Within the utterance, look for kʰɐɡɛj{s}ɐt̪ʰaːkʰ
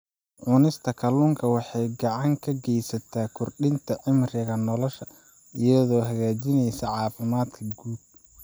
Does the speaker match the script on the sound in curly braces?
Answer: yes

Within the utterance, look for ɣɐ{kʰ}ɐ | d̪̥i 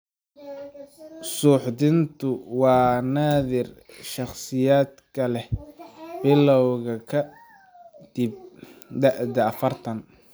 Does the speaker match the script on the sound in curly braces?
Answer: yes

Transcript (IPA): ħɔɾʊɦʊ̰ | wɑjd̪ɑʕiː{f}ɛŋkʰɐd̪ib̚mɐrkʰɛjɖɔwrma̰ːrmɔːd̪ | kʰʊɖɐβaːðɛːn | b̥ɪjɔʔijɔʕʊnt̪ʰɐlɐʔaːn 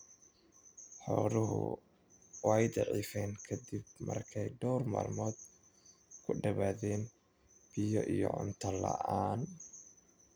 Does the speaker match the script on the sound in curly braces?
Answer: yes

